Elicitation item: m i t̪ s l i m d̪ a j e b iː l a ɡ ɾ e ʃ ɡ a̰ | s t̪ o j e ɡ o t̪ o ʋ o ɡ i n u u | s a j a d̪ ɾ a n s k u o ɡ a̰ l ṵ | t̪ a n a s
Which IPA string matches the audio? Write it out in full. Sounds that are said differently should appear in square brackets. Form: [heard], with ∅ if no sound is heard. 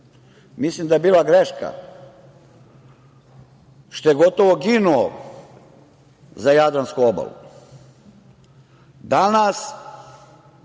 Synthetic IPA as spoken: m i [∅] s l i m d̪ a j e b iː l a ɡ ɾ e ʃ [k] a̰ | [ʃ] t̪ o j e ɡ o t̪ o ʋ o ɡ i n u [o] | [z] a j a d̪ ɾ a n s k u o [b] a̰ l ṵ | [d̪] a n a s

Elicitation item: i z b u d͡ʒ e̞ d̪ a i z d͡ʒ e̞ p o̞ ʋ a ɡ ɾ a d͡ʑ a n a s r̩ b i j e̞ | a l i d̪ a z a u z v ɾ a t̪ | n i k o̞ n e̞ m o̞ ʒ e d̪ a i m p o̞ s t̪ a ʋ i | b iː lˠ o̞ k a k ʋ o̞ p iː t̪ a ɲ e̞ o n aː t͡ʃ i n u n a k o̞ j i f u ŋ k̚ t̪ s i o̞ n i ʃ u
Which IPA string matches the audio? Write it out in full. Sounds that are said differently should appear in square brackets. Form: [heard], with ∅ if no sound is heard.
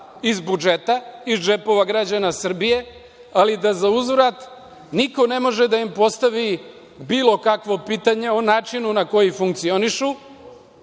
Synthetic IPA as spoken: i z b u d͡ʒ e̞ [t̪] a i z d͡ʒ e̞ p o̞ ʋ a ɡ ɾ a d͡ʑ a n a s r̩ b i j e̞ | a l i d̪ a z a u z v ɾ a t̪ | n i k o̞ n e̞ m o̞ ʒ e d̪ a i m p o̞ s t̪ a ʋ i | b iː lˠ o̞ k a k ʋ o̞ p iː t̪ a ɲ e̞ o n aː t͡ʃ i n u n a k o̞ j i f u ŋ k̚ t̪ s i o̞ n i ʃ u

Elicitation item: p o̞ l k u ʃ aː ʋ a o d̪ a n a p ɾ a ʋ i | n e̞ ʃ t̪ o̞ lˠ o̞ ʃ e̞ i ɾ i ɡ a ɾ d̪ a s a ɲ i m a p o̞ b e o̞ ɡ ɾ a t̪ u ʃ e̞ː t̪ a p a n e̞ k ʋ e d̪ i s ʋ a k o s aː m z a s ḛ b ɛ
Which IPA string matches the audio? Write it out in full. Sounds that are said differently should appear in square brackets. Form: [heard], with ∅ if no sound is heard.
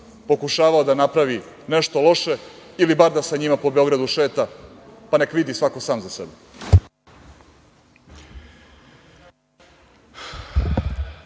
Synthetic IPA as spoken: p o̞ [∅] k u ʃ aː ʋ a o d̪ a n a p ɾ a ʋ i | n e̞ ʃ t̪ o̞ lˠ o̞ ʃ e̞ i [l] i [b] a ɾ d̪ a s a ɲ i m a p o̞ b e o̞ ɡ ɾ a [d̪] u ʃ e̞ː t̪ a p a n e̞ k ʋ [i] d̪ i s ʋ a k o s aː m z a s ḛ b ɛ

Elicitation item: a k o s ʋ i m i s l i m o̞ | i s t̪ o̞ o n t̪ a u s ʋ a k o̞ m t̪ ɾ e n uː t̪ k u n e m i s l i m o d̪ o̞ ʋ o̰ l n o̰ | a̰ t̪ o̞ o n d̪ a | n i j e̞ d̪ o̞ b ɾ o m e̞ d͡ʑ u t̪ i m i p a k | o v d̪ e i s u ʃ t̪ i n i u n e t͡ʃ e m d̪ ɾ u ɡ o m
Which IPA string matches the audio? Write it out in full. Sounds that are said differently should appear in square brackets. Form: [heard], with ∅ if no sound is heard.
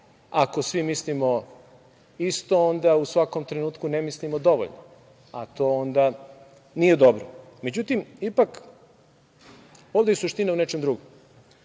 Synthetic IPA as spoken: a k o s ʋ i m i s l i m o̞ | i s t̪ o̞ o n [d̪] a u s ʋ a k o̞ m t̪ ɾ e n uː t̪ k u n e m i s l i m o d̪ o̞ ʋ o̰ [ʎ] n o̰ | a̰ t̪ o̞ o n d̪ a | n i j e̞ d̪ o̞ b ɾ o m e̞ d͡ʑ u t̪ i m i p a k | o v d̪ e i s u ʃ t̪ i n [a] u n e t͡ʃ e m d̪ ɾ u ɡ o m

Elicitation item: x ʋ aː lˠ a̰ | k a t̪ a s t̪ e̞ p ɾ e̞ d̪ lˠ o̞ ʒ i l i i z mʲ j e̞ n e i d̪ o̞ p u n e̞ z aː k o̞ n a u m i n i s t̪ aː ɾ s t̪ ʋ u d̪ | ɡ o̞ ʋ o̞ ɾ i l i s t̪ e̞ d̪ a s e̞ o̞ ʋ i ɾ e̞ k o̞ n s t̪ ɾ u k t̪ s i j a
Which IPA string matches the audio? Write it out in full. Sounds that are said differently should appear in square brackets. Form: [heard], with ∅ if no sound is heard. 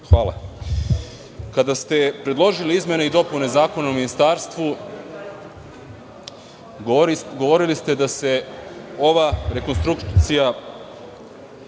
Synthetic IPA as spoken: x ʋ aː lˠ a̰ | k a [d̪] a s t̪ e̞ p ɾ e̞ d̪ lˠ o̞ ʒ i l i i z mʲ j e̞ n e i d̪ o̞ p u n e̞ z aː k o̞ n a u m i n i s t̪ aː ɾ s t̪ ʋ u [∅] | ɡ o̞ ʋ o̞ ɾ i l i s t̪ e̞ d̪ a s e̞ o̞ ʋ [a] ɾ e̞ k o̞ n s t̪ ɾ u k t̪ s i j a

